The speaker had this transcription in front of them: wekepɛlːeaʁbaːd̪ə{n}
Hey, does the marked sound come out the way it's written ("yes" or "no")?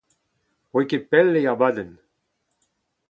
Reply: yes